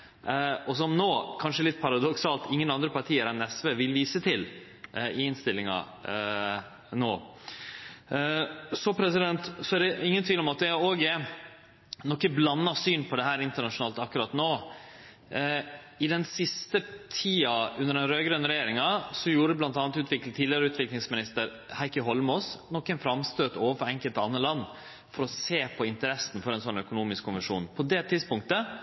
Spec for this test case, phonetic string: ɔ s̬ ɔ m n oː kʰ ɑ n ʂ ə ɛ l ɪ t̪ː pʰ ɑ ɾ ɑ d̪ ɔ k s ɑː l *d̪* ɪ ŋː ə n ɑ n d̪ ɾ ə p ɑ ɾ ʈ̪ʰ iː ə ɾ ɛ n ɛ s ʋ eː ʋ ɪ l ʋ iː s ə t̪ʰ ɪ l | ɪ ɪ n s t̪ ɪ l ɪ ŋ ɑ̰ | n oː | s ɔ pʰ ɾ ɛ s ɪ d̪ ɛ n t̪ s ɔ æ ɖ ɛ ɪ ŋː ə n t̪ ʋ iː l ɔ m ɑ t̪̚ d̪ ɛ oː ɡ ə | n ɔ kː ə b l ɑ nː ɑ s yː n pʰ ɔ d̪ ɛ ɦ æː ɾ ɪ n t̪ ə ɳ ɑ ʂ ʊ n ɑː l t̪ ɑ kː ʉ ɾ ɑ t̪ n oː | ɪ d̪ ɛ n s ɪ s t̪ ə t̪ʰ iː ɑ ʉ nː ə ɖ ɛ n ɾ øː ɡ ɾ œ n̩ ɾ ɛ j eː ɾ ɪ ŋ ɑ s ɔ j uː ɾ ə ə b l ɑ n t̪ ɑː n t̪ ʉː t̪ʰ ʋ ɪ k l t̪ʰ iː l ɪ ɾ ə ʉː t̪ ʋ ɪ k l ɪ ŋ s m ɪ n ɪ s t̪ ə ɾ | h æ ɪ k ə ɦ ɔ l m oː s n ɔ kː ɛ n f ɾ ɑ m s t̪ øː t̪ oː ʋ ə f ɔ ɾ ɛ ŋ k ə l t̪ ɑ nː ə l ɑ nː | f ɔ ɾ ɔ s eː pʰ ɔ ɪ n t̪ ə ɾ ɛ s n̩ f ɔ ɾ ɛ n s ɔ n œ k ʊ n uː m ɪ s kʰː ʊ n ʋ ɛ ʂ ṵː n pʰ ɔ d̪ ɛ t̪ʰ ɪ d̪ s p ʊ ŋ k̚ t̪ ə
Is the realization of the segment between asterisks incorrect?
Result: yes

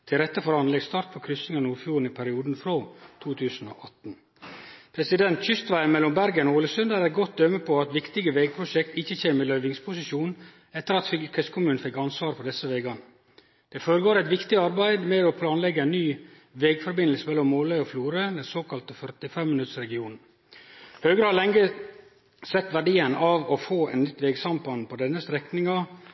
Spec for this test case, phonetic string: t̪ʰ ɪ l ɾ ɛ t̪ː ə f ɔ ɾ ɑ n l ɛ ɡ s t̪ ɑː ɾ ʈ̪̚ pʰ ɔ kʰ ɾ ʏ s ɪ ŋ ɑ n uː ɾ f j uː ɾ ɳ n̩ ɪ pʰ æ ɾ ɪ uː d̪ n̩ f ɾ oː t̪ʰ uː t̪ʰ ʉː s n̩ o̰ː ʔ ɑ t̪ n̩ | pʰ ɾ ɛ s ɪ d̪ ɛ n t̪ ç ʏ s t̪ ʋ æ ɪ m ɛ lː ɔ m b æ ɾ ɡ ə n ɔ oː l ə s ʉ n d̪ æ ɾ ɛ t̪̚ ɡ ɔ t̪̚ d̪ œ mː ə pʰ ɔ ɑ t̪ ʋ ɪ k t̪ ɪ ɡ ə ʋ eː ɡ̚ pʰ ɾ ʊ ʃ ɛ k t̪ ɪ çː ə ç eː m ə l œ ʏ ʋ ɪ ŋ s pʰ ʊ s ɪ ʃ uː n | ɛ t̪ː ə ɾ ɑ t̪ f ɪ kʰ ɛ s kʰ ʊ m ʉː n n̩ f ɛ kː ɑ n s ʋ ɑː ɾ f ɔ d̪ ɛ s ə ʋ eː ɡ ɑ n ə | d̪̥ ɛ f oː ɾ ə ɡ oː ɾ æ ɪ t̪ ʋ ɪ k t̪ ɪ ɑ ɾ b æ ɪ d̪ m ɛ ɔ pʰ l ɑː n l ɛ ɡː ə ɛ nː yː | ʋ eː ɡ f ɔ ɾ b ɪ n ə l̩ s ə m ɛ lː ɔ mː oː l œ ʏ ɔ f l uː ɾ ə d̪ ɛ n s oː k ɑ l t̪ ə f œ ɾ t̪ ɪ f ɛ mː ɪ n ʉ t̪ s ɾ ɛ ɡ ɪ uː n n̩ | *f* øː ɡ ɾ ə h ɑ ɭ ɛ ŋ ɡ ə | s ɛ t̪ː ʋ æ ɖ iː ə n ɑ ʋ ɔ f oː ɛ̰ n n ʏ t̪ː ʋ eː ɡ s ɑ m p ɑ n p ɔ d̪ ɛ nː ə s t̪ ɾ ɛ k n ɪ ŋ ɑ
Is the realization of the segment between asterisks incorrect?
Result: yes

